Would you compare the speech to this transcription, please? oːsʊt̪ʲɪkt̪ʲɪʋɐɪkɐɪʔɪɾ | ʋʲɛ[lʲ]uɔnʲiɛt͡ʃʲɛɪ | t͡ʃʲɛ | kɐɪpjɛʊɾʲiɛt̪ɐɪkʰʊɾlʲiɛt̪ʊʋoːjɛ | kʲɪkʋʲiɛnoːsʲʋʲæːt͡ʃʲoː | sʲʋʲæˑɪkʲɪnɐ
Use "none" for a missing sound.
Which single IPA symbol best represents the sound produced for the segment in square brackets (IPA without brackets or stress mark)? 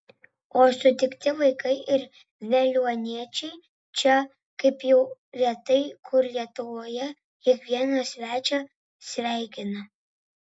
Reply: lʲ